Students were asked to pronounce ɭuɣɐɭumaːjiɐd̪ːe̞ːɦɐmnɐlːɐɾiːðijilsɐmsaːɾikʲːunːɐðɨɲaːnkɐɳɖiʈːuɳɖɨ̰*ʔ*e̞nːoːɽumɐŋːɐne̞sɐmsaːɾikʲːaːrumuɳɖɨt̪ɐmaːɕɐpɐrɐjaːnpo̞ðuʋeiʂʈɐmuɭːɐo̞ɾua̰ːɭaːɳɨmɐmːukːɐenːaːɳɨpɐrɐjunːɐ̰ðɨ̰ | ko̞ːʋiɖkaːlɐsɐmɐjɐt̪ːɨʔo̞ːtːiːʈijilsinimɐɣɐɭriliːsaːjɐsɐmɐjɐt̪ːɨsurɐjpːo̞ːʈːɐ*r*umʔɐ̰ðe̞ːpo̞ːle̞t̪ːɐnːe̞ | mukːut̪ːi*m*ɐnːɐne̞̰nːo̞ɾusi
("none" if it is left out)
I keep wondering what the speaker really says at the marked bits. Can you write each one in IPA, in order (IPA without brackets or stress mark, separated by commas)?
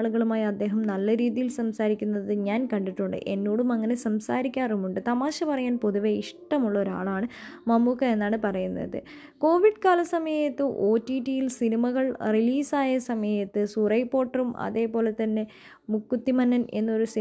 ʔ, r, m